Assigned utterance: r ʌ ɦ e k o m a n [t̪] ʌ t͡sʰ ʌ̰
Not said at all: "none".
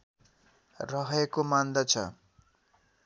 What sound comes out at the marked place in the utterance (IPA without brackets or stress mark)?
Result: d̪